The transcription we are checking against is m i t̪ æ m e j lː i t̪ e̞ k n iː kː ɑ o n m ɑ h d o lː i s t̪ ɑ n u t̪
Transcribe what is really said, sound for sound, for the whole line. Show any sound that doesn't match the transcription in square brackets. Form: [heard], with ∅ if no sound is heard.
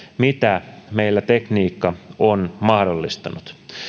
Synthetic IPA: m i t̪ æ m e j lː [æ] t̪ e̞ k n iː kː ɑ o n m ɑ h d o lː i s t̪ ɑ n u t̪